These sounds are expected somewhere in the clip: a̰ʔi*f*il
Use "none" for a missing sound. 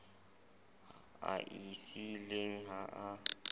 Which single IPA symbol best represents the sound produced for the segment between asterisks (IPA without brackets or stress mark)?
s